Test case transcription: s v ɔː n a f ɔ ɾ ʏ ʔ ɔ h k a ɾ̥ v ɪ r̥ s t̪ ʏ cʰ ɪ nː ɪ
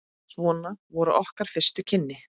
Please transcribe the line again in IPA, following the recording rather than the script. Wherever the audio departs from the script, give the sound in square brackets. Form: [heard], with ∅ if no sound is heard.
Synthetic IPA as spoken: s v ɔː n a [v] ɔ ɾ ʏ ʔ ɔ h k a ɾ̥ [f] ɪ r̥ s t̪ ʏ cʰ ɪ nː ɪ